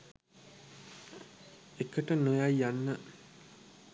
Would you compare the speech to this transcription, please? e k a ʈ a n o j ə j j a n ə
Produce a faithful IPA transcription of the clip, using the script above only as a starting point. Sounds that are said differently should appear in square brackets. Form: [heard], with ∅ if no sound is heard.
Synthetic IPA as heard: e k [ə] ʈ [ə] n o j [a] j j a [nː] ə